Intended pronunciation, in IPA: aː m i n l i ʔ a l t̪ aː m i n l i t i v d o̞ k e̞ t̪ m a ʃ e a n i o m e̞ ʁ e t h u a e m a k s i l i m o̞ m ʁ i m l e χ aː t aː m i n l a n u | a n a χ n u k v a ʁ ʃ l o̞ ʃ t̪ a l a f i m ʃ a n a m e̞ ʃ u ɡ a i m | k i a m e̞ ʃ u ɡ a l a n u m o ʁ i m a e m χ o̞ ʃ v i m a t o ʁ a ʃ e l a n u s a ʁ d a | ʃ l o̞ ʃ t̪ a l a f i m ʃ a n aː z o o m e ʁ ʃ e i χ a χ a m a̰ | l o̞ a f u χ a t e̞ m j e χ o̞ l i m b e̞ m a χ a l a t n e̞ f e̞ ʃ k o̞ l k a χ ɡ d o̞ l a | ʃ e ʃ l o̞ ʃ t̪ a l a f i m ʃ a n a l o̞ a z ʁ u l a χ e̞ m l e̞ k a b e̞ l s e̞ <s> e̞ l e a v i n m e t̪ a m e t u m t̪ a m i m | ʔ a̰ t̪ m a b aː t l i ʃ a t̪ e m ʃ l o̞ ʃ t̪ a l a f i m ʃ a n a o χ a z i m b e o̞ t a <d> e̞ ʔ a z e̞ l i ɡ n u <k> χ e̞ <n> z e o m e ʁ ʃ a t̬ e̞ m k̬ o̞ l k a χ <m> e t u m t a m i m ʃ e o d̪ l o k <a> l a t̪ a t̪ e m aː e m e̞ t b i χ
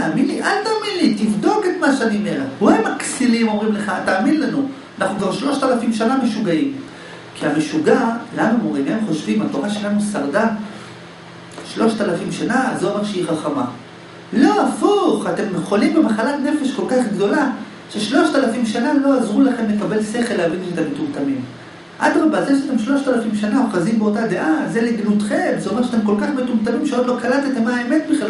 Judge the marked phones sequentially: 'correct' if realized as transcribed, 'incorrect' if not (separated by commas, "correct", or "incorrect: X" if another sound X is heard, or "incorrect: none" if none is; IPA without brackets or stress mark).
incorrect: χ, correct, incorrect: t, incorrect: m, correct, correct